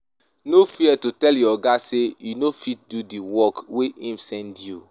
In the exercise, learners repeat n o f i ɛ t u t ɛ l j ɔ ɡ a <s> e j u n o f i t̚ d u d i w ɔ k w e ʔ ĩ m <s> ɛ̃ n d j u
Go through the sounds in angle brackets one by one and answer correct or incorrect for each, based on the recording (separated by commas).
correct, correct